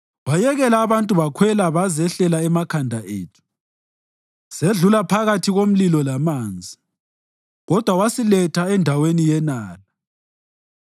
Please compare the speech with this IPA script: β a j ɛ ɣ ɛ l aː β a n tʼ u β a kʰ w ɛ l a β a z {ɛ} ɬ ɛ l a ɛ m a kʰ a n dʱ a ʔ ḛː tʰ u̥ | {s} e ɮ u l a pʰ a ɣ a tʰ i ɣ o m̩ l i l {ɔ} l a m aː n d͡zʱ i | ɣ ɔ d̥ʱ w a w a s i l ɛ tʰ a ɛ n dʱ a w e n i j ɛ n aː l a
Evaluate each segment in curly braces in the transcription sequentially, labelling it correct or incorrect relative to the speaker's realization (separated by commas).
correct, correct, correct